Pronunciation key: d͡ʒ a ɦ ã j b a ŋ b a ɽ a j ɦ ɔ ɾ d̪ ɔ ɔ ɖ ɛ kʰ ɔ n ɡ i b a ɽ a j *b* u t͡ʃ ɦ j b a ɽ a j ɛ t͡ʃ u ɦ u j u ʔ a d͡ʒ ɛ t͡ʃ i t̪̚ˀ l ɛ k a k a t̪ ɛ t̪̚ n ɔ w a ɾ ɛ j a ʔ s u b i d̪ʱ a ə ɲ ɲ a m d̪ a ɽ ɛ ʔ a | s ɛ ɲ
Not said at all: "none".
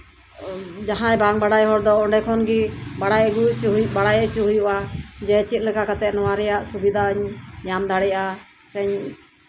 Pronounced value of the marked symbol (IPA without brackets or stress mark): ɡ